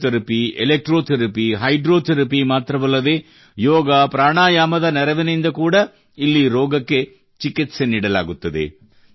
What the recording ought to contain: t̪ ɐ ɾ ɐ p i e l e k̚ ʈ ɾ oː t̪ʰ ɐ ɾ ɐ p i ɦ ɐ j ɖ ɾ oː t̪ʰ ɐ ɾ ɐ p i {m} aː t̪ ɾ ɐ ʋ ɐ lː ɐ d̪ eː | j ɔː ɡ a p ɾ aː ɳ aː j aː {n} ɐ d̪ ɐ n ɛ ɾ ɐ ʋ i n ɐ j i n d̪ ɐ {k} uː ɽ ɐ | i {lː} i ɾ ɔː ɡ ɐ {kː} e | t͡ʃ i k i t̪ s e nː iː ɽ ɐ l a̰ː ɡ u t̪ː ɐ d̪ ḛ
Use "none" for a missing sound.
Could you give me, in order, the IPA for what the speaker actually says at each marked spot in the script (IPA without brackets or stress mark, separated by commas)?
m, m, k, lː, kː